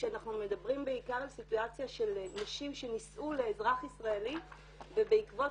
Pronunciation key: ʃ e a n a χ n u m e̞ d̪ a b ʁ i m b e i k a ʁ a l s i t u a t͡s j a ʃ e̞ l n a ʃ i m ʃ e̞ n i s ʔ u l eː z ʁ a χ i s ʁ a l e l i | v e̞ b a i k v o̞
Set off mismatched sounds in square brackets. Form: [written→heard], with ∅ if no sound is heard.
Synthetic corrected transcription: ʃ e a n a χ n u m e̞ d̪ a b ʁ i m b e i k a ʁ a l s i t u a t͡s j a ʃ e̞ l n a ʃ i m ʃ e̞ n i s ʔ u l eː z ʁ a χ i s ʁ a [l→∅] e l i | v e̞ b [a→e] i k v o̞